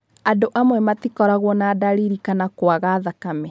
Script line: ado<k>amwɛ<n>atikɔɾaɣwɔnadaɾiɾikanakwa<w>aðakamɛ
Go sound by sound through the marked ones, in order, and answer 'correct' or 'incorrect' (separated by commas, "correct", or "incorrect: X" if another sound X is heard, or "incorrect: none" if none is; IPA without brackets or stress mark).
incorrect: ʔ, incorrect: m, incorrect: ɣ